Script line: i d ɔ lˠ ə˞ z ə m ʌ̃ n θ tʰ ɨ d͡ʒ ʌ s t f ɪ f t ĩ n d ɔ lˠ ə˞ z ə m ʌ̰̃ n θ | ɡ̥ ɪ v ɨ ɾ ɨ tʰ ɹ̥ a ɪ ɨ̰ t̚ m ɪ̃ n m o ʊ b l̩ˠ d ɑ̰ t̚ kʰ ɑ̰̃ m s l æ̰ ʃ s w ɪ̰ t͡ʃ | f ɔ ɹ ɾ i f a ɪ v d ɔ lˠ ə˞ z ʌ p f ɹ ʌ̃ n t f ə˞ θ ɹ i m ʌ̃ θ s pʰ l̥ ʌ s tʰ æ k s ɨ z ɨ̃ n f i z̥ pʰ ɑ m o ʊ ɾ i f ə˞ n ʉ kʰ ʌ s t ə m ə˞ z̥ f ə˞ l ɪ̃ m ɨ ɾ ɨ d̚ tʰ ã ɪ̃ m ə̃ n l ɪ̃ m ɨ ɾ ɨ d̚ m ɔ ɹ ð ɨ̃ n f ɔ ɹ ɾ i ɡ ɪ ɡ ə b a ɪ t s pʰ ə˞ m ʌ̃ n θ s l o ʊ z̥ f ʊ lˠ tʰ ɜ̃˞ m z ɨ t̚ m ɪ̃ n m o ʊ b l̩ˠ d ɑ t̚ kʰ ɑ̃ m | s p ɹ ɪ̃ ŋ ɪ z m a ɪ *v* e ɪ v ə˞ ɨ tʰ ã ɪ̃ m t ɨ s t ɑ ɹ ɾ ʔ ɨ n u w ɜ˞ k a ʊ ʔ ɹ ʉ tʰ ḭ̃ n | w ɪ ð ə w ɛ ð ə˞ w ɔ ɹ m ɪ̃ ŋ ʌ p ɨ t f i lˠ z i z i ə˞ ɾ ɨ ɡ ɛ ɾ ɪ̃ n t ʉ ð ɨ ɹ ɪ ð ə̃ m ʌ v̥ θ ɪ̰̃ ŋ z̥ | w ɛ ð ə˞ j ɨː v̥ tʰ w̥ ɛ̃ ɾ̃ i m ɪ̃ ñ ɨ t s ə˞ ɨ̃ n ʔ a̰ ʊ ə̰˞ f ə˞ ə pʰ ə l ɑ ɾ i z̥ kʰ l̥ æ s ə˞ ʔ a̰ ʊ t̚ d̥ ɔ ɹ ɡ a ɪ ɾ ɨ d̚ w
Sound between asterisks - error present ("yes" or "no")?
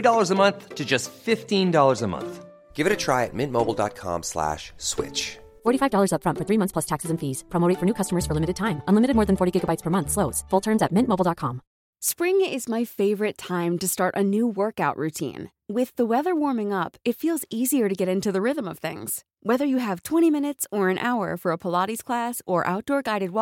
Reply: yes